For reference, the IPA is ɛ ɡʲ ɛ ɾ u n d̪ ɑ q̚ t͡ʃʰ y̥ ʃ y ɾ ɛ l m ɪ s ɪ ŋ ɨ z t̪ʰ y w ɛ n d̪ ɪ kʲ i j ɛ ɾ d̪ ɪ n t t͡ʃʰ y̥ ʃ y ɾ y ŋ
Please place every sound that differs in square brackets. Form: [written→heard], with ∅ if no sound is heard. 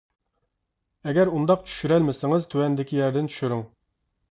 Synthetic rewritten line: ɛ ɡʲ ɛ ɾ u n d̪ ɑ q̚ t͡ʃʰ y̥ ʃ y ɾ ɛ l m ɪ s ɪ ŋ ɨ z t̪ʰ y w ɛ n d̪ ɪ kʲ i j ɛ ɾ d̪ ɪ n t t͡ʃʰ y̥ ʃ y ɾ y ŋ